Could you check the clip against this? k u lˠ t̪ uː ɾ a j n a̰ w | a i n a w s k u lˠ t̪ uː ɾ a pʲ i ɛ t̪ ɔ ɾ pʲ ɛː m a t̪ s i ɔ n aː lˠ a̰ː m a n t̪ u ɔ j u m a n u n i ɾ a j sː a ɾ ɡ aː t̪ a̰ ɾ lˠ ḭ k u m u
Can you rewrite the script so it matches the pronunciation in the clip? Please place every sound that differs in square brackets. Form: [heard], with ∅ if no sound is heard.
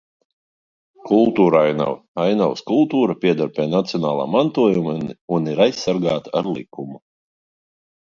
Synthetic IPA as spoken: k u lˠ t̪ uː ɾ a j n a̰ w | a [j] n a w s k u lˠ t̪ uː ɾ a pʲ i ɛ [d̪] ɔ ɾ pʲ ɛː [n] a t̪ s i ɔ n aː lˠ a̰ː m a n t̪ u ɔ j u m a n u n i ɾ a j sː a ɾ ɡ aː t̪ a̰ ɾ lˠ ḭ k u m u